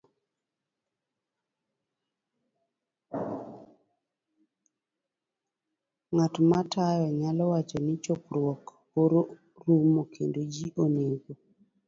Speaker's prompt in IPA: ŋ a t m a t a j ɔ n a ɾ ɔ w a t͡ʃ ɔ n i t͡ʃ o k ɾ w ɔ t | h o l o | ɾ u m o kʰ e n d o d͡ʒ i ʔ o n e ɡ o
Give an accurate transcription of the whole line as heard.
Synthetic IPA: ŋ a t m a t a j ɔ ɲ a l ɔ w a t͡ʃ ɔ n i t͡ʃ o k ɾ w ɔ k | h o ɾ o | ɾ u m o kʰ e n d o d͡ʒ i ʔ o n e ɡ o